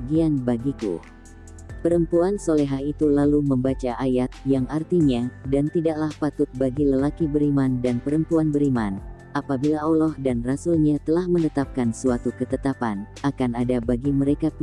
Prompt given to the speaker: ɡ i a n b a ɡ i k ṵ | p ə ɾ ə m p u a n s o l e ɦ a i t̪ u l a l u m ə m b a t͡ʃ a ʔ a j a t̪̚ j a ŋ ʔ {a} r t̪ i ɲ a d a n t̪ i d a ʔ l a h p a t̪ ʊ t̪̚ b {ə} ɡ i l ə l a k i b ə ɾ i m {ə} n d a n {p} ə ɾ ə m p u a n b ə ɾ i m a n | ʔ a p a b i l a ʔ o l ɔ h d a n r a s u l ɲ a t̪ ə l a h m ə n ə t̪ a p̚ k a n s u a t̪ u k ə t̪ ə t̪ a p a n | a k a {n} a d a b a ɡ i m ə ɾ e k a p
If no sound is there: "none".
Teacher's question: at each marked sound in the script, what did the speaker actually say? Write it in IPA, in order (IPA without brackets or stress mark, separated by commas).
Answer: a, a, a, p, n